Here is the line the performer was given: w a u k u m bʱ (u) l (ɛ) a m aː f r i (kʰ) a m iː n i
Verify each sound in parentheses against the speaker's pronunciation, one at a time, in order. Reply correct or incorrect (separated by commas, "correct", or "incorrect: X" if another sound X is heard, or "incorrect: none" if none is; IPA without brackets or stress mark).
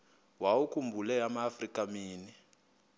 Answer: correct, correct, incorrect: k